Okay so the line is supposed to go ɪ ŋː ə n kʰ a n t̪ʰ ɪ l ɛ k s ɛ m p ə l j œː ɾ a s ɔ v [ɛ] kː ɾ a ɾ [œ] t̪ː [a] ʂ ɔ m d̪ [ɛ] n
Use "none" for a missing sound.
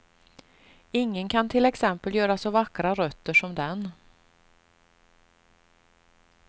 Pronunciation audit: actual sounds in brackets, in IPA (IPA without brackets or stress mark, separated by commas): a, œ, ə, ɛ